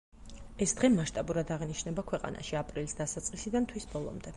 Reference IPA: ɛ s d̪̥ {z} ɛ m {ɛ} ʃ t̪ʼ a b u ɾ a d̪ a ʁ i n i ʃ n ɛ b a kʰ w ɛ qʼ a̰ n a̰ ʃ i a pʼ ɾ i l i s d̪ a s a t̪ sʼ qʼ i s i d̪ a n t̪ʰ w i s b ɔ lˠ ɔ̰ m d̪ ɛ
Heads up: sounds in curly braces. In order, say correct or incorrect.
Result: incorrect, incorrect

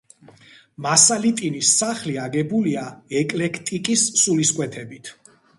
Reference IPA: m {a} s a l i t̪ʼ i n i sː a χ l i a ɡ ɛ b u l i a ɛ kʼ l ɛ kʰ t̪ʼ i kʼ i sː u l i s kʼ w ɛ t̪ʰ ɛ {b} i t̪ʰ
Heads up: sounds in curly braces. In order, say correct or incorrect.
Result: correct, correct

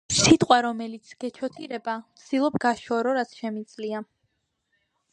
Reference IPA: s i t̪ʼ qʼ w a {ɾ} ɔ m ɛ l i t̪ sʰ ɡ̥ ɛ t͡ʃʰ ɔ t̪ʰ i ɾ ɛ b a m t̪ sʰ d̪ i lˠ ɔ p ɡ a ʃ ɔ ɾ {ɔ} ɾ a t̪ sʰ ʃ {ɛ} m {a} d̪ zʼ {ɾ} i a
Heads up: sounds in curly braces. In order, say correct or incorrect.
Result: correct, correct, correct, incorrect, incorrect

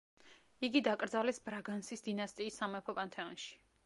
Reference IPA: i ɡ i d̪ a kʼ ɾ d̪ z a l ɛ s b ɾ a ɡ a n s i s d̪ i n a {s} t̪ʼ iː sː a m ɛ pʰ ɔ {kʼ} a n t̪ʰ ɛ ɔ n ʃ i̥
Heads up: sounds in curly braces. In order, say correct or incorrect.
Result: correct, incorrect

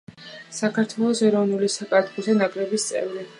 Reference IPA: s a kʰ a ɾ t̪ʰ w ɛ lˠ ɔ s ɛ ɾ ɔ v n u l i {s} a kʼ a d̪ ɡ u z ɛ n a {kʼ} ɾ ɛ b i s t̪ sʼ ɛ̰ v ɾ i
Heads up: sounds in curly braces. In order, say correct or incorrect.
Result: correct, correct

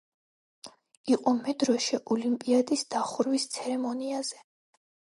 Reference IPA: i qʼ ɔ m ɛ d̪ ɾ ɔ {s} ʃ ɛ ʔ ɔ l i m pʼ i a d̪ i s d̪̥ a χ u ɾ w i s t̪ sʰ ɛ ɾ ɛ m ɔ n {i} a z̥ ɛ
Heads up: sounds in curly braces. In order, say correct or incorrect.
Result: incorrect, correct

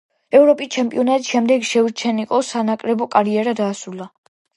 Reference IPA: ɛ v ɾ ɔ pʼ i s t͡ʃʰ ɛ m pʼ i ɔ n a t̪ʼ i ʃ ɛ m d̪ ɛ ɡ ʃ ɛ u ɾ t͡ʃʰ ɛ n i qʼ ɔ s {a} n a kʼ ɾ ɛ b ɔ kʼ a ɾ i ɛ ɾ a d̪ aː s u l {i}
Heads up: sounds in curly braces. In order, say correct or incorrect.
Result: correct, incorrect

